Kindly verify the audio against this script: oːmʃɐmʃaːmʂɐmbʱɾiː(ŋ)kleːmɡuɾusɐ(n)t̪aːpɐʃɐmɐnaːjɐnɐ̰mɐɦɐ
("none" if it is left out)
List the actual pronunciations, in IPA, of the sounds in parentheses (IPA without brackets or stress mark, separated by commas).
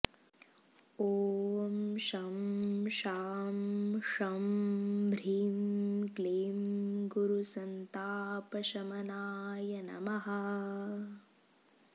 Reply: m, n